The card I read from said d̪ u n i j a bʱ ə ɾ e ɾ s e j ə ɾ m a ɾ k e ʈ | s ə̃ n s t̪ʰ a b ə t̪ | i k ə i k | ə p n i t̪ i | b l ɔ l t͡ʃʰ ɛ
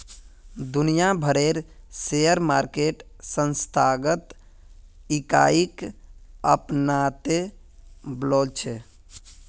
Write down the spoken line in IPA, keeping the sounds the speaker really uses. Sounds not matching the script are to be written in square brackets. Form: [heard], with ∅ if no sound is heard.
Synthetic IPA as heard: d̪ u n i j a bʱ ə ɾ e ɾ s e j ə ɾ m a ɾ k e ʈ | s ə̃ n s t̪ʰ a [ɡ] ə t̪ | i k [a] i k | ə p n [a] t̪ [e] | b l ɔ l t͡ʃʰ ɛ